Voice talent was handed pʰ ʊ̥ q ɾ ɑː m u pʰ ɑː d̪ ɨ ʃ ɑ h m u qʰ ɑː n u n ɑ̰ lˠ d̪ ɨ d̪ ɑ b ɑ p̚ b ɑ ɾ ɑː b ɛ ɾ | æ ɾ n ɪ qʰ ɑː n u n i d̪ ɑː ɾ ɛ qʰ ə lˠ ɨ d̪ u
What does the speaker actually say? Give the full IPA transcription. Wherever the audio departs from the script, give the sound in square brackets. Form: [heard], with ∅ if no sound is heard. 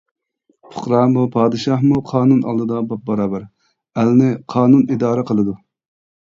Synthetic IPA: pʰ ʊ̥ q ɾ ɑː m u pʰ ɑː d̪ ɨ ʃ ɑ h m u qʰ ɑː n u n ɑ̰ lˠ d̪ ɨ d̪ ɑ b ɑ p̚ b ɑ ɾ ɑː b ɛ ɾ | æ [l] n ɪ qʰ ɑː n u n i d̪ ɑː ɾ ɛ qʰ ə lˠ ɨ d̪ u

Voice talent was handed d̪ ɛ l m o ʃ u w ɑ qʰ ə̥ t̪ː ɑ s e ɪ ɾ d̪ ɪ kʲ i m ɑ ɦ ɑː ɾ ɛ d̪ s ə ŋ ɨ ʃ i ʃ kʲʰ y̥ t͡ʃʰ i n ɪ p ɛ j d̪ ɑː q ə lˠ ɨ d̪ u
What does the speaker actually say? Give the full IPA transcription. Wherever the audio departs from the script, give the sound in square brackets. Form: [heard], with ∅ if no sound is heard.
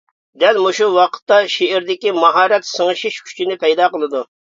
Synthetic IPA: d̪ ɛ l m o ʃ u w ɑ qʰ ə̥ t̪ː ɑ [ʃ] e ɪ ɾ d̪ ɪ kʲ i m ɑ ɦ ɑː ɾ ɛ [t̪] s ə ŋ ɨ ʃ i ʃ kʲʰ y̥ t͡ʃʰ i n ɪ p ɛ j d̪ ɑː q ə lˠ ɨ d̪ u

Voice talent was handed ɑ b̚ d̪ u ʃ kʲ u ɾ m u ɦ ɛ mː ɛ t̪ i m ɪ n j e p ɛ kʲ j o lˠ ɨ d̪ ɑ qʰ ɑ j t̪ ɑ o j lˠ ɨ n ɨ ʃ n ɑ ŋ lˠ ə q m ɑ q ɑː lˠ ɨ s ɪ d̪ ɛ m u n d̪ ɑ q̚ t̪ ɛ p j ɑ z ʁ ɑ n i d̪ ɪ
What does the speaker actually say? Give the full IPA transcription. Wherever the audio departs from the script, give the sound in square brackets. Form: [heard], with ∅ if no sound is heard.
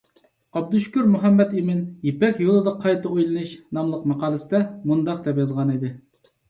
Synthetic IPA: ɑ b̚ d̪ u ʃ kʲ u ɾ m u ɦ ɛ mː ɛ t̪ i m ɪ n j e p ɛ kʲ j o lˠ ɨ d̪ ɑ qʰ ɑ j t̪ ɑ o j lˠ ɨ n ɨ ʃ n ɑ [m] lˠ ə q m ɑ q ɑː lˠ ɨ s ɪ d̪ ɛ m u n d̪ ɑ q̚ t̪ ɛ p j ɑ z ʁ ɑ n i d̪ ɪ

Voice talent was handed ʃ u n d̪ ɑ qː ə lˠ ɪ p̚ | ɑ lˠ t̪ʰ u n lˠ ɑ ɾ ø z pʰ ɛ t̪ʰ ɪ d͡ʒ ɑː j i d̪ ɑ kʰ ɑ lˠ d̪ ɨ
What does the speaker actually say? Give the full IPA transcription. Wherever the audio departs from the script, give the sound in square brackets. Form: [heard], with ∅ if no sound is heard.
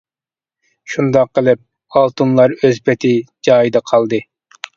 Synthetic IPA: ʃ u n d̪ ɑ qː ə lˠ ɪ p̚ | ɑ lˠ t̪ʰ u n lˠ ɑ ɾ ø z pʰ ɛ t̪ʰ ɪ d͡ʒ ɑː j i d̪ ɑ [qʰ] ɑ lˠ d̪ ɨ

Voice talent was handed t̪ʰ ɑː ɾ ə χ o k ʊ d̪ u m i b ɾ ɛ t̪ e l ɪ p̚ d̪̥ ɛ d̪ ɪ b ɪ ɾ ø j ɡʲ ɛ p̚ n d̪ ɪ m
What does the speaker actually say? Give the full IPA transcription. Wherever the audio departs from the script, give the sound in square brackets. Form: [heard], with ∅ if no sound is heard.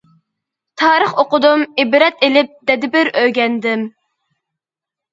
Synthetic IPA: t̪ʰ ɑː ɾ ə χ o [q] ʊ d̪ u m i b ɾ ɛ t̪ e l ɪ p̚ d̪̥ ɛ d̪ ɪ b ɪ ɾ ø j ɡʲ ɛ [∅] n d̪ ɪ m

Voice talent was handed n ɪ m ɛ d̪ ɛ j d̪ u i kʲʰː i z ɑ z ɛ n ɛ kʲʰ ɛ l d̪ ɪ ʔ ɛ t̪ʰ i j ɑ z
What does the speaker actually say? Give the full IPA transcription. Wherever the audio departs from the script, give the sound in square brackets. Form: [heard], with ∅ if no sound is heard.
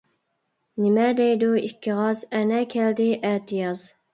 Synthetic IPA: n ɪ m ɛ d̪ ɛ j d̪ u i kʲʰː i [ʁ] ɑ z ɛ n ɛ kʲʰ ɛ l d̪ ɪ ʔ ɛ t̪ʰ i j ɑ z

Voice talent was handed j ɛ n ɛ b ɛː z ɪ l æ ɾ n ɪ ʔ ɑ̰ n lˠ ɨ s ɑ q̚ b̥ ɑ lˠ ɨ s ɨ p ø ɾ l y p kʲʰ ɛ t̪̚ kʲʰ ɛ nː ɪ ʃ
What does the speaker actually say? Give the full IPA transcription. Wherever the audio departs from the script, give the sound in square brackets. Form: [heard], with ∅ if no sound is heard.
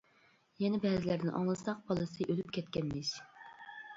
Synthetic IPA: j ɛ n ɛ b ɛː z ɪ l æ ɾ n ɪ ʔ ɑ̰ [ŋ] lˠ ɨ s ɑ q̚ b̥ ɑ lˠ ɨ s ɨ [ʔ] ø [∅] l y p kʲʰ ɛ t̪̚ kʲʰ ɛ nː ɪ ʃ

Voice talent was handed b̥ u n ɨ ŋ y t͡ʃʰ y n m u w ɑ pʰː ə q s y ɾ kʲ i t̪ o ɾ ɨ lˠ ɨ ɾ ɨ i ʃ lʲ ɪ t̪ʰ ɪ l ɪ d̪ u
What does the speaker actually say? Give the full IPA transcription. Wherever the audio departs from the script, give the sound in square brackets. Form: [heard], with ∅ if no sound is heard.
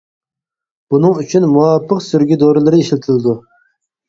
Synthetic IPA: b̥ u n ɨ ŋ y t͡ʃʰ y n m u w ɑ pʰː ə q s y ɾ [ɡʲ] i [d̪] o ɾ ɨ lˠ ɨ ɾ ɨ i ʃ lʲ ɪ t̪ʰ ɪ l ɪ d̪ u

